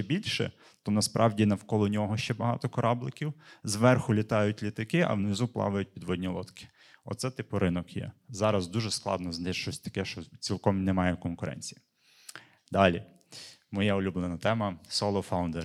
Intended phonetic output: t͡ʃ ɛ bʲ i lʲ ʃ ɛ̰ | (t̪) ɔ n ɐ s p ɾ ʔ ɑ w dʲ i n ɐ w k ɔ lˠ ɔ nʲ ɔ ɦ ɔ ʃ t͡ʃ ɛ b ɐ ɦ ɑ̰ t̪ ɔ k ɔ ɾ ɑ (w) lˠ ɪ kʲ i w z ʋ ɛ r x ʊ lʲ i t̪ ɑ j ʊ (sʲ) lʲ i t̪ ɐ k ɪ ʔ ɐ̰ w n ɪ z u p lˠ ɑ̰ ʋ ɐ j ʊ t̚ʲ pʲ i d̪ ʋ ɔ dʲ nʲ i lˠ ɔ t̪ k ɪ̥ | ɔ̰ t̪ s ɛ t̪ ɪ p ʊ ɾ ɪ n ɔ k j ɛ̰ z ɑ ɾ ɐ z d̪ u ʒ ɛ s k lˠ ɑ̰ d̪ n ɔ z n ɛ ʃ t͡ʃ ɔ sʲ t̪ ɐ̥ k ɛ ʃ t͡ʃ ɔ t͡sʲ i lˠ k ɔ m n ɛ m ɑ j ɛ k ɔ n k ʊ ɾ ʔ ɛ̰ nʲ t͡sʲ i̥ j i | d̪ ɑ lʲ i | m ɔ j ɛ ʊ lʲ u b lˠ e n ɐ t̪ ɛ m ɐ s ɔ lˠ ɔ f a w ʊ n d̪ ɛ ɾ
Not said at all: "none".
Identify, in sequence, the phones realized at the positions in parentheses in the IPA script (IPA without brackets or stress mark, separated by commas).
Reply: t̪, b, tʲ